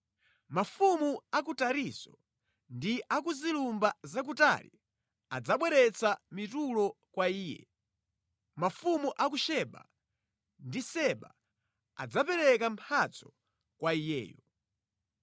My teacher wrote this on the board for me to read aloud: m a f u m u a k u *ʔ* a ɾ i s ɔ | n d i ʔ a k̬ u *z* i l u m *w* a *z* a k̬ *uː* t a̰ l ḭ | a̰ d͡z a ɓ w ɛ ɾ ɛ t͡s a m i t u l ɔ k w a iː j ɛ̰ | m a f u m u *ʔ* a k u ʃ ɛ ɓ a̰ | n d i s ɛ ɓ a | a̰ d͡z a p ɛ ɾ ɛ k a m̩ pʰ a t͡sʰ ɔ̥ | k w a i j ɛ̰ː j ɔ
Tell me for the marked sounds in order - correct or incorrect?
incorrect: t, correct, incorrect: b, correct, incorrect: u, correct

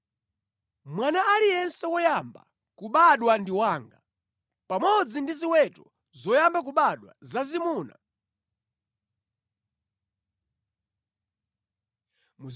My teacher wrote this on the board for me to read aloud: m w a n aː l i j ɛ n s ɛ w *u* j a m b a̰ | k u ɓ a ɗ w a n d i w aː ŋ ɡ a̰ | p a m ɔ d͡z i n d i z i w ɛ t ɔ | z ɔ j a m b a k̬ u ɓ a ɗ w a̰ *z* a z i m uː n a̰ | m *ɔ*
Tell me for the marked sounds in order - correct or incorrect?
incorrect: ɔ, correct, incorrect: u

